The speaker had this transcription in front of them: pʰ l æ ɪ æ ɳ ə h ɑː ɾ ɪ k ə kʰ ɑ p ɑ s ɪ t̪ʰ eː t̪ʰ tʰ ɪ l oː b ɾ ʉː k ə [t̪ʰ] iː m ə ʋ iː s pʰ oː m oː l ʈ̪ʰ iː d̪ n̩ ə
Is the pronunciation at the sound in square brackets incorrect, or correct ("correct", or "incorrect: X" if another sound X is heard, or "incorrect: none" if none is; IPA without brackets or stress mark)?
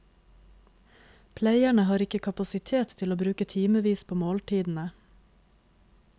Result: correct